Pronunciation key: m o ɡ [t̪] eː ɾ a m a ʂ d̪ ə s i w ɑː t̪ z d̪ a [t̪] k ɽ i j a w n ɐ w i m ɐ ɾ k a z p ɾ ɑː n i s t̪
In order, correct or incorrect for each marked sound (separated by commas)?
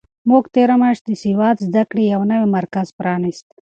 correct, incorrect